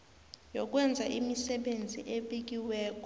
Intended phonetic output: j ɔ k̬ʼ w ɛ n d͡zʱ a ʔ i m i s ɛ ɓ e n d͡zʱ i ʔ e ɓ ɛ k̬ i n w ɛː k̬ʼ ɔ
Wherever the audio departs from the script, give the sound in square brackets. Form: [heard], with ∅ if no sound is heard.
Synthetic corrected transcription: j ɔ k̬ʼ w ɛ n d͡zʱ a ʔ i m i s ɛ ɓ e n d͡zʱ i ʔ e ɓ [i] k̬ i [∅] w ɛː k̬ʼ ɔ